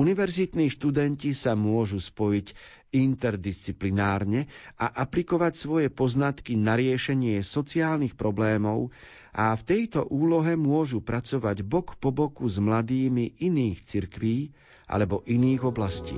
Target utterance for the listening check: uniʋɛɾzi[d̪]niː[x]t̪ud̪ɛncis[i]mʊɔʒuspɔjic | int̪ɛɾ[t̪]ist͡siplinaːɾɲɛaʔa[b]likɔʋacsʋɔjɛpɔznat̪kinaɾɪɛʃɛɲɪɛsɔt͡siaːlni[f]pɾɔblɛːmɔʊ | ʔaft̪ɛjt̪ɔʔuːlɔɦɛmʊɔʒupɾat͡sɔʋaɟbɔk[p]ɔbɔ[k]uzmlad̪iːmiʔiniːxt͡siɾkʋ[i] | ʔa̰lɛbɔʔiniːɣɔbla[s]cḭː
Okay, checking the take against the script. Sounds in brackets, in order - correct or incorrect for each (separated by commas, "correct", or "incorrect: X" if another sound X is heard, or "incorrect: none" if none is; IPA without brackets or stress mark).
incorrect: t̪, incorrect: ʃ, incorrect: a, incorrect: d̪, incorrect: p, incorrect: x, correct, correct, incorrect: iː, correct